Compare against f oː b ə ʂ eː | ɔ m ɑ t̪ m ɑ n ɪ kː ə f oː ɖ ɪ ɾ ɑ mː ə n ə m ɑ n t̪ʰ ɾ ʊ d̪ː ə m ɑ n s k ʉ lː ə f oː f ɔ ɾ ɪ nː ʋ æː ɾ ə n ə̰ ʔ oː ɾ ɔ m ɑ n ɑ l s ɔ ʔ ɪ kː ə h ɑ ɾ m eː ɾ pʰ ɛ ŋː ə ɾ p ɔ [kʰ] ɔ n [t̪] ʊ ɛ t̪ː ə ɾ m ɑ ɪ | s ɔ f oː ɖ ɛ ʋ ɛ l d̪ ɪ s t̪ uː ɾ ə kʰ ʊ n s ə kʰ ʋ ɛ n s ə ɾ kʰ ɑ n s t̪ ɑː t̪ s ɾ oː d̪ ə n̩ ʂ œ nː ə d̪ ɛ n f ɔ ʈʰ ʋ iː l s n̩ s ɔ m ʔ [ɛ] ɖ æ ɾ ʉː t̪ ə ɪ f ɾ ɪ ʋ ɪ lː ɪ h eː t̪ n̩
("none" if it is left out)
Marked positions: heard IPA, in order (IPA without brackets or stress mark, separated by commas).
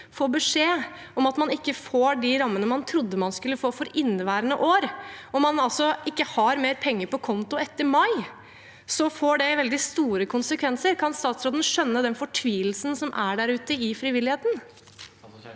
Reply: kʰ, t̪, æ